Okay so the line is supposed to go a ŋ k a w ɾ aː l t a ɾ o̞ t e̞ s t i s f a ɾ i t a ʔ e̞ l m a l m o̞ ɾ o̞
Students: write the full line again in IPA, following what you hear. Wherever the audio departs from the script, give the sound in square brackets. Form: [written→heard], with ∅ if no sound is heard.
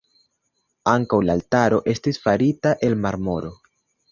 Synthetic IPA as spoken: a ŋ k a w [ɾ→l] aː l t a ɾ o̞ [t→ʔ] e̞ s t i s f a ɾ i t a ʔ e̞ l m a [l→ɾ] m o̞ ɾ o̞